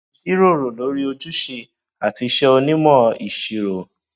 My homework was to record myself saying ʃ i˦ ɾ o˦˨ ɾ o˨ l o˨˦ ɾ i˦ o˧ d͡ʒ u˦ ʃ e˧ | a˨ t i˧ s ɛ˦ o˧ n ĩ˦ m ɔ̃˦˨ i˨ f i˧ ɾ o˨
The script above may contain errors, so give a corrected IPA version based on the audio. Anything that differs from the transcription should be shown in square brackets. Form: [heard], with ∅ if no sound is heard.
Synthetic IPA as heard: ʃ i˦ ɾ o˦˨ ɾ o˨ l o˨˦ ɾ i˦ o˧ d͡ʒ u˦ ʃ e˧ | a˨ t i˧ [ʃ] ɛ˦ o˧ n ĩ˦ m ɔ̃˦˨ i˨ [ʃ] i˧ ɾ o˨